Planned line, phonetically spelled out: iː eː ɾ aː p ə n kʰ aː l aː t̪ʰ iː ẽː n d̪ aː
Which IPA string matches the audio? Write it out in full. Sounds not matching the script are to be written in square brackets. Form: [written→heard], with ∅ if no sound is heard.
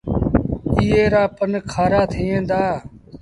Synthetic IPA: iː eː ɾ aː p ə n kʰ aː [l→ɾ] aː t̪ʰ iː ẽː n d̪ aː